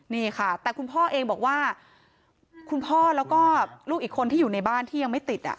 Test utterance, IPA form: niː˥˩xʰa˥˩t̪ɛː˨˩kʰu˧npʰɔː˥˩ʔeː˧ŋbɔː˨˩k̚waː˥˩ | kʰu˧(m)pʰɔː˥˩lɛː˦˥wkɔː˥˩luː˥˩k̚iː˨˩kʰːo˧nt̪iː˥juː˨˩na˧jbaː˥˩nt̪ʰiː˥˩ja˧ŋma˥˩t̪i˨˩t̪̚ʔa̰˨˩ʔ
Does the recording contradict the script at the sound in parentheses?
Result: yes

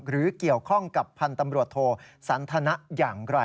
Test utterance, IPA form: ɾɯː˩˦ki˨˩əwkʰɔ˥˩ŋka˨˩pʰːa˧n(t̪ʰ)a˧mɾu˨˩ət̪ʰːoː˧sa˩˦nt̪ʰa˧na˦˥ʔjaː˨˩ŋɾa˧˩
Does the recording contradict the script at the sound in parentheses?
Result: yes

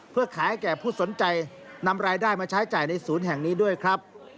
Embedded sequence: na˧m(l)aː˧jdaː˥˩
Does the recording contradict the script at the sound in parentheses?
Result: yes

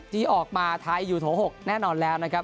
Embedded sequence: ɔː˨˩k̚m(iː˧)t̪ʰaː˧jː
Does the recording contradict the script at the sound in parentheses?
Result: yes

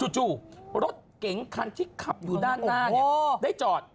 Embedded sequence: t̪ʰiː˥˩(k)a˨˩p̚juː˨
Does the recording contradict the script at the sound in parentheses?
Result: yes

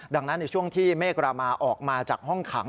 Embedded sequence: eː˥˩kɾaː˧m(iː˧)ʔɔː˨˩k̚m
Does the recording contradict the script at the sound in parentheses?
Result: yes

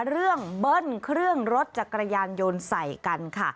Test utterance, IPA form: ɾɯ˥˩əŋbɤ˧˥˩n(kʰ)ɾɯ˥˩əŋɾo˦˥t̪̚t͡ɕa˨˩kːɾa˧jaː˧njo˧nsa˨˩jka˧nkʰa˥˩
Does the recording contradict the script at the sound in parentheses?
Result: no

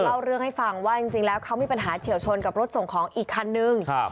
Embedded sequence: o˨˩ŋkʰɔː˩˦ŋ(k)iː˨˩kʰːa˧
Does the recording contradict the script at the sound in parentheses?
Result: yes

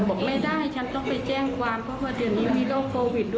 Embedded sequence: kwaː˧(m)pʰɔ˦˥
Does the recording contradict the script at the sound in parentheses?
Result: no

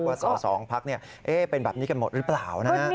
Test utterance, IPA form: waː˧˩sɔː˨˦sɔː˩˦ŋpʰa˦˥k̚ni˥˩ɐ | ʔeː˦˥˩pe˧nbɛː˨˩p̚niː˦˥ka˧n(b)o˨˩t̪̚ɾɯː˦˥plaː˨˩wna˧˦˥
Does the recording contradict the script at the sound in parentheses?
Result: yes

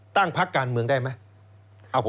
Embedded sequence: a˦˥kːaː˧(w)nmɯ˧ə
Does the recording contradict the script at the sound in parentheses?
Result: yes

